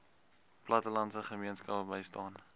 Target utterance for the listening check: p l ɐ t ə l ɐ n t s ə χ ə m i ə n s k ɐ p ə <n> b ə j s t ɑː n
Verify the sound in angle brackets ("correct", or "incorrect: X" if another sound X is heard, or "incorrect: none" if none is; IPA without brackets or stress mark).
incorrect: none